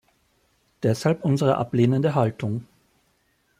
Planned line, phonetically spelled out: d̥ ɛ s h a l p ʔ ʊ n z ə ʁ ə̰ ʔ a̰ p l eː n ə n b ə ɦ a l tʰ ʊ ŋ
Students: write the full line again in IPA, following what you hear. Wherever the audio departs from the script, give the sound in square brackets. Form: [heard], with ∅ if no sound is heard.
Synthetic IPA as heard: d̥ ɛ s h a l p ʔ ʊ n z ə ʁ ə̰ ʔ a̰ p l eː n ə n [d] ə ɦ a l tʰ ʊ ŋ